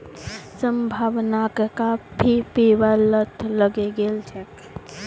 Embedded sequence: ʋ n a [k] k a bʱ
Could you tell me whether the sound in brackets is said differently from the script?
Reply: no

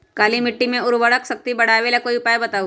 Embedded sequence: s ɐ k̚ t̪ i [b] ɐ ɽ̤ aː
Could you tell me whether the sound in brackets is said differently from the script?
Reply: no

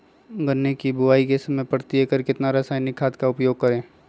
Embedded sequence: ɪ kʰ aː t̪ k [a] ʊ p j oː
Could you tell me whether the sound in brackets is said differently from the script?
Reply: no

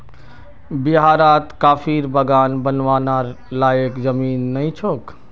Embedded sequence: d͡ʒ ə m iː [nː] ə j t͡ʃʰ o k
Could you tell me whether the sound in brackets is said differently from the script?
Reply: no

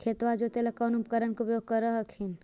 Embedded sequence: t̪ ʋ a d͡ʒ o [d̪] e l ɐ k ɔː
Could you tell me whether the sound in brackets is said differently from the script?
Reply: yes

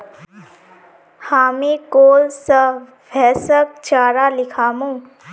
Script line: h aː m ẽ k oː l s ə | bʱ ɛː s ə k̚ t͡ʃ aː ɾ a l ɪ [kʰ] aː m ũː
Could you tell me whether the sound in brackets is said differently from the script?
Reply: no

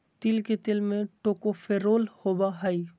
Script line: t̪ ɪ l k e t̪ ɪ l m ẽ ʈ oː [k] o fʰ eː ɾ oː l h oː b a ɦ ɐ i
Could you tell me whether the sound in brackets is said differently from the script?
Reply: no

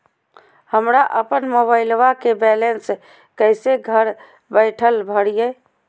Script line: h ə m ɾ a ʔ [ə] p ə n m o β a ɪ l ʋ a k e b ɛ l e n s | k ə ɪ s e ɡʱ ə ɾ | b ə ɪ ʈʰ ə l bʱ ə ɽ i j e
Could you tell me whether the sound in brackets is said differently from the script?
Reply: no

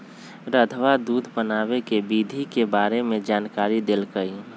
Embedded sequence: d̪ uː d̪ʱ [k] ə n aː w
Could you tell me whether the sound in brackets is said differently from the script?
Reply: yes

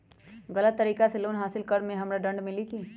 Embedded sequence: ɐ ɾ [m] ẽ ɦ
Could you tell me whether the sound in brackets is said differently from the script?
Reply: no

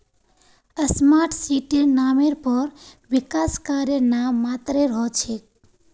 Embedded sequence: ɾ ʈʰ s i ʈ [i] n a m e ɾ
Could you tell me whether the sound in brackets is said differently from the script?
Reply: yes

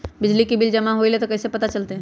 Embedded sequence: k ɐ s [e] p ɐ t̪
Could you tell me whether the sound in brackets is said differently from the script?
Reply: no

